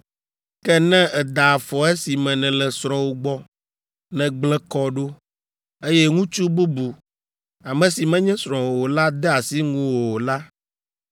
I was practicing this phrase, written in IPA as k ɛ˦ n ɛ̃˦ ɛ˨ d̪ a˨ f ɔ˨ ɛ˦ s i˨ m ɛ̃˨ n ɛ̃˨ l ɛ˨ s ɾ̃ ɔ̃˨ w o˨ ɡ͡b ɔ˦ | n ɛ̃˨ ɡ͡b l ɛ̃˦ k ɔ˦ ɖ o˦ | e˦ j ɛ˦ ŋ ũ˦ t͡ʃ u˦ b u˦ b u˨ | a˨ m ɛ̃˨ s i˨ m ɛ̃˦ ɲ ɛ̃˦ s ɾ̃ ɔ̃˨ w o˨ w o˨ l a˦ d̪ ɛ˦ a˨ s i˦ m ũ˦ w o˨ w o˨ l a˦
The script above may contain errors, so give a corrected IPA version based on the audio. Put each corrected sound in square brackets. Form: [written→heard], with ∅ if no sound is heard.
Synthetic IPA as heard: k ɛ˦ n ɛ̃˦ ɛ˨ d̪ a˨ f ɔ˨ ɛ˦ s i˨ m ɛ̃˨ n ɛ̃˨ l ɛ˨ s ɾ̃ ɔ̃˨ w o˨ ɡ͡b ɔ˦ | n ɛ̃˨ ɡ͡b l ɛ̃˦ k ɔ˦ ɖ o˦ | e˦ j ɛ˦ ŋ ũ˦ t͡ʃ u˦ b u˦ b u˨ | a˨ m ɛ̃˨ s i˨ m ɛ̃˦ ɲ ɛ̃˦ s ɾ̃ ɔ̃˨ w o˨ w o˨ l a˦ d̪ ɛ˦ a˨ s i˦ [m→ŋ] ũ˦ w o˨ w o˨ l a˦

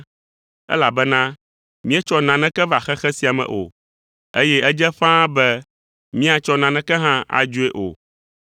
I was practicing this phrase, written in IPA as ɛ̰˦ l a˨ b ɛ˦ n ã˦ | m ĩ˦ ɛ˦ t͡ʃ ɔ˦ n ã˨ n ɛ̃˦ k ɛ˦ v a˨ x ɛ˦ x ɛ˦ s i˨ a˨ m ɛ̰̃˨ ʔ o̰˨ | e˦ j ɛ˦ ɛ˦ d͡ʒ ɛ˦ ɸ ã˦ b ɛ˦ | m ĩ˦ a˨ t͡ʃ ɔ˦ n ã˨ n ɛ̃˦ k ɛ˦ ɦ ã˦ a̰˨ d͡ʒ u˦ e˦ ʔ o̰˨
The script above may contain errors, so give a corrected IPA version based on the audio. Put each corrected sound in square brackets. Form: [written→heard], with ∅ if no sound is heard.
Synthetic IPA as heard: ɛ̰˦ l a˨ b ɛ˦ n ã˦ | m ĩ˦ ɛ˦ t͡ʃ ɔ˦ n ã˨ n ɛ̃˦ k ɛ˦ v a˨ x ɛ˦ x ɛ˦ s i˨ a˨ m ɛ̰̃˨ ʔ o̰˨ | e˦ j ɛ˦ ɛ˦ d͡ʒ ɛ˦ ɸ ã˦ b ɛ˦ | m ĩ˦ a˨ t͡ʃ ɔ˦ n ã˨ n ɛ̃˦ k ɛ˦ ɦ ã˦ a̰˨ d͡ʒ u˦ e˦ ʔ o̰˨

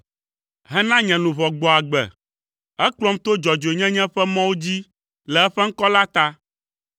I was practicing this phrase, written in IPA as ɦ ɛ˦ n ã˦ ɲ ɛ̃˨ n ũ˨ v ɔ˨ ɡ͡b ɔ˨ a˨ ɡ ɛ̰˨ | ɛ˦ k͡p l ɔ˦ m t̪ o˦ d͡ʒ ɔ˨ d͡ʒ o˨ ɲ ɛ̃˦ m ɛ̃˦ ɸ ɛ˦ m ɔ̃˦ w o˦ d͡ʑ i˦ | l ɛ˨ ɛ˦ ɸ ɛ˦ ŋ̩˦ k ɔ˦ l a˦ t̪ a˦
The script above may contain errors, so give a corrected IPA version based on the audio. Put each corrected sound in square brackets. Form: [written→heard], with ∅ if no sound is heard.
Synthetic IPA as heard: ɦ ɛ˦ n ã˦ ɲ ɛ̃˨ n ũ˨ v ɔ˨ ɡ͡b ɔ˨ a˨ [ɡ→ɡ͡b] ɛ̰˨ | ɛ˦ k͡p l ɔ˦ m t̪ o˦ d͡ʒ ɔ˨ d͡ʒ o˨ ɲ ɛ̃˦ [m→ɲ] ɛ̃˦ ɸ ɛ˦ m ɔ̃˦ w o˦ d͡ʑ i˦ | l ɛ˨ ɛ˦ ɸ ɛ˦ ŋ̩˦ k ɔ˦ l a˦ t̪ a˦

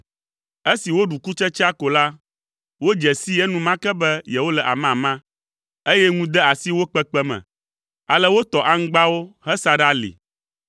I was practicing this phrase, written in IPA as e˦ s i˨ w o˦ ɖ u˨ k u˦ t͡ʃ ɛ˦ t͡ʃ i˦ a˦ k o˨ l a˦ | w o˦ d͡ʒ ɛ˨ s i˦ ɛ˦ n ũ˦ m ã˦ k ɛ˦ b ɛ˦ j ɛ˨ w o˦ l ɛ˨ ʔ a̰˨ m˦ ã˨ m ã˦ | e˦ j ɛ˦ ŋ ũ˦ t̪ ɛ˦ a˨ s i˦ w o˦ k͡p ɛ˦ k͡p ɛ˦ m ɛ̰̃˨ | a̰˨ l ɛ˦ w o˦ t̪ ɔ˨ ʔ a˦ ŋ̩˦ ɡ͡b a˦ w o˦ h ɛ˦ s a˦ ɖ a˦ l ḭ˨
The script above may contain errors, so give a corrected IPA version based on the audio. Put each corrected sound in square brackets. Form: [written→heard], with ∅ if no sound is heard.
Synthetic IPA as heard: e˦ s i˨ w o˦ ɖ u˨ k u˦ t͡ʃ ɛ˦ t͡ʃ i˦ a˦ k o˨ l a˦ | w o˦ d͡ʒ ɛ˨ s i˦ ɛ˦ n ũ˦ m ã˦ k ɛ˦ b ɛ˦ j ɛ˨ w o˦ l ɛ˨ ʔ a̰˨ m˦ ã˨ m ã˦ | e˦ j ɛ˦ ŋ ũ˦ [t̪→d̪] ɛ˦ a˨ s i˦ w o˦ k͡p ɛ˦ k͡p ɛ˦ m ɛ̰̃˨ | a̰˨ l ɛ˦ w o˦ t̪ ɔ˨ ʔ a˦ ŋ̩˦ ɡ͡b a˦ w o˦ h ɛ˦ s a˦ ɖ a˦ l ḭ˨

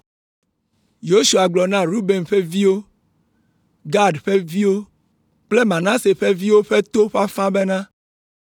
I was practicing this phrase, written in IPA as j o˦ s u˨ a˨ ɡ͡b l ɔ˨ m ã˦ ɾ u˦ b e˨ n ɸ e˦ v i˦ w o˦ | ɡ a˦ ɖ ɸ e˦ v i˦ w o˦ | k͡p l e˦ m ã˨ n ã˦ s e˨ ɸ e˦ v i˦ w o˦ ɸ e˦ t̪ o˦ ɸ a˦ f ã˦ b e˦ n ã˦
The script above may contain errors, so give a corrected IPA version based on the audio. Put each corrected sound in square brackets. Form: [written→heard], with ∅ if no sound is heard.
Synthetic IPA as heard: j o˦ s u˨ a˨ ɡ͡b l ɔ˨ [m→n] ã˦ ɾ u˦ b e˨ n ɸ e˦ v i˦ w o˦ | ɡ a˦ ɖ ɸ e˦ v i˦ w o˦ | k͡p l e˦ m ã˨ n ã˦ s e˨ ɸ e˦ v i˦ w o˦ ɸ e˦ t̪ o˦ ɸ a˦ f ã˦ b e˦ n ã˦

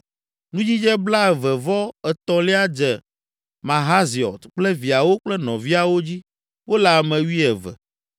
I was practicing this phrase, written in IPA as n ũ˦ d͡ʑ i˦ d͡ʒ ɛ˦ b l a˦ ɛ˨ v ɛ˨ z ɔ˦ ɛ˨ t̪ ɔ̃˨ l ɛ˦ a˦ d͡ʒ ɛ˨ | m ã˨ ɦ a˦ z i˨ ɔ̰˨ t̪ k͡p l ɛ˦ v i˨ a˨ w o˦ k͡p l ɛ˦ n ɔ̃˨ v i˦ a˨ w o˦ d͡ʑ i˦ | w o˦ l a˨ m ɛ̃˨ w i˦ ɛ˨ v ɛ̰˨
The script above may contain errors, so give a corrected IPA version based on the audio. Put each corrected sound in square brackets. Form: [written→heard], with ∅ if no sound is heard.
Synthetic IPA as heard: n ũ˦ d͡ʑ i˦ d͡ʒ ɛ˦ b l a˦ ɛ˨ v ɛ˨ [z→v] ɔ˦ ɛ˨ t̪ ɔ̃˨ l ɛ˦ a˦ d͡ʒ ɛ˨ | m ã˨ ɦ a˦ z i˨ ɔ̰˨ t̪ k͡p l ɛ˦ v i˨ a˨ w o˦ k͡p l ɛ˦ n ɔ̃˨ v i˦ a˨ w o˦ d͡ʑ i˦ | w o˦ l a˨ m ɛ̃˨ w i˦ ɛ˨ v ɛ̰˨

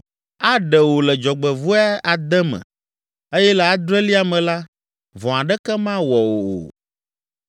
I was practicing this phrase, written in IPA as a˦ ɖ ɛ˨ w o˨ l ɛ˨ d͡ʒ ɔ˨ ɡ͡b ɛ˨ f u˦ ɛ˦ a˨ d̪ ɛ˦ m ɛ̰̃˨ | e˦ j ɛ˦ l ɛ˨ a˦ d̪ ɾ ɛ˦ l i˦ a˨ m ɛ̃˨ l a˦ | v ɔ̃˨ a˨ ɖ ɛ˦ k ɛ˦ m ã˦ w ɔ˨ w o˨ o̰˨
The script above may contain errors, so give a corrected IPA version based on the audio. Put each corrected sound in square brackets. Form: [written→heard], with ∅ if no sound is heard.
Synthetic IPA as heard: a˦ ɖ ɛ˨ w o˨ l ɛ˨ d͡ʒ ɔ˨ ɡ͡b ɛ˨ [f→v] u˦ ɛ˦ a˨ d̪ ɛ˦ m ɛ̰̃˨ | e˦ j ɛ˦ l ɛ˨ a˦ d̪ ɾ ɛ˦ l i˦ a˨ m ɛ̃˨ l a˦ | v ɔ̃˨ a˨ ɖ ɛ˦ k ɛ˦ m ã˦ w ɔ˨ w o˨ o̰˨

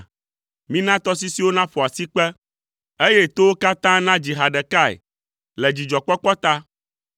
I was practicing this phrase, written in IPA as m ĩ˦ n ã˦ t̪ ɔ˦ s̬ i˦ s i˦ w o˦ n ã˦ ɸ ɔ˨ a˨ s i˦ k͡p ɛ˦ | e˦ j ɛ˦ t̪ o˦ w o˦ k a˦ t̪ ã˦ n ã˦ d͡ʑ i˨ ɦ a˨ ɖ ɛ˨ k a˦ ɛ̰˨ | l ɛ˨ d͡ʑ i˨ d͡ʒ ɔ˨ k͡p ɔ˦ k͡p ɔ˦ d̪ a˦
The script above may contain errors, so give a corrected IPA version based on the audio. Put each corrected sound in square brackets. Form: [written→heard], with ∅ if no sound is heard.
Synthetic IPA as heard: m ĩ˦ n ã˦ t̪ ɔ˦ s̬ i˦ s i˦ w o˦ n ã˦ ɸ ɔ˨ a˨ s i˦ k͡p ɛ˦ | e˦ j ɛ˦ t̪ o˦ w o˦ k a˦ t̪ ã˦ n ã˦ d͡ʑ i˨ ɦ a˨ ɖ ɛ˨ k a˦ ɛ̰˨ | l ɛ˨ d͡ʑ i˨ d͡ʒ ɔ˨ k͡p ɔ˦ k͡p ɔ˦ [d̪→t̪] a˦

